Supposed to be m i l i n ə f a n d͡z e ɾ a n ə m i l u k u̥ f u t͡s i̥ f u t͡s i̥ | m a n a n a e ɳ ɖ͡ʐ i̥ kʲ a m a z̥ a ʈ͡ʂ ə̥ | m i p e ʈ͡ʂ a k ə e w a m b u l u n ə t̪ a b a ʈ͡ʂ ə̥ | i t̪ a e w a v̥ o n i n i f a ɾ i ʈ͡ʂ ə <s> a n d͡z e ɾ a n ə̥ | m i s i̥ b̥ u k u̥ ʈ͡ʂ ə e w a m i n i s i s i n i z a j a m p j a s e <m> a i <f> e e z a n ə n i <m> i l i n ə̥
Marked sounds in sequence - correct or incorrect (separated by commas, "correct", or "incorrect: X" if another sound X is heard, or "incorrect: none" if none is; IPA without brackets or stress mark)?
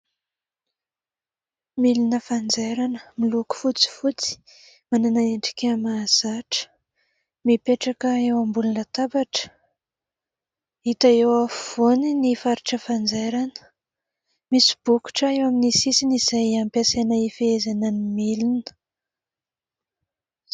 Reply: incorrect: f, incorrect: n, correct, correct